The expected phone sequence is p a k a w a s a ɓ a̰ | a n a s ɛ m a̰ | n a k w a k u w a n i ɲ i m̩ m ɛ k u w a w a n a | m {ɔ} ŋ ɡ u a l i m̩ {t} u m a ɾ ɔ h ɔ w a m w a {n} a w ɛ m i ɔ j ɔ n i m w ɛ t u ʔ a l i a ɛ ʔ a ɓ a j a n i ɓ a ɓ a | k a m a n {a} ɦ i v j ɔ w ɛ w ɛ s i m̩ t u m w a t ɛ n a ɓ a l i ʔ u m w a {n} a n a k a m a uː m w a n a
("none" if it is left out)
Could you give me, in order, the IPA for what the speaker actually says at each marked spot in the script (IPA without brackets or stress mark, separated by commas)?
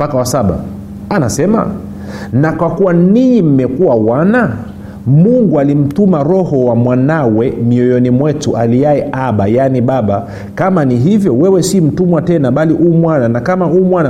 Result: u, t, n, i, n